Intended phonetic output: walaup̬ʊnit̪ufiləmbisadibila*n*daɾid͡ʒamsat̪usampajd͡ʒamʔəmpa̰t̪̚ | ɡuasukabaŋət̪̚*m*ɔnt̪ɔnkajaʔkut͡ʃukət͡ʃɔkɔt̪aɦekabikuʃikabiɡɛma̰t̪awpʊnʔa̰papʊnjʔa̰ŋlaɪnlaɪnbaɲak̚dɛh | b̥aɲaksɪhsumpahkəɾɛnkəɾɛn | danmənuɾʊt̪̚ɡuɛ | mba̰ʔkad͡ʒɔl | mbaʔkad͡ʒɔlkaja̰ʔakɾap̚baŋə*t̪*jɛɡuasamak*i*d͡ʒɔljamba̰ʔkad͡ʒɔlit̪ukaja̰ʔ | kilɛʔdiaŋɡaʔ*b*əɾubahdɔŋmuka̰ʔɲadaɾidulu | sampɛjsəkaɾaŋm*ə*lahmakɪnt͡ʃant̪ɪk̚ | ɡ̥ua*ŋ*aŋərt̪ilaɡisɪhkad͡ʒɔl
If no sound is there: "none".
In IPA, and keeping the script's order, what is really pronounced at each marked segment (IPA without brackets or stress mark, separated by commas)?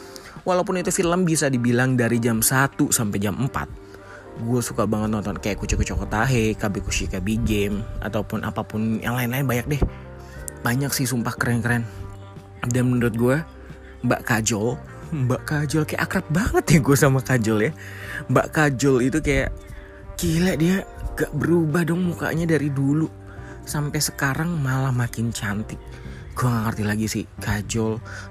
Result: ŋ, n, t̪, a, b, a, ŋ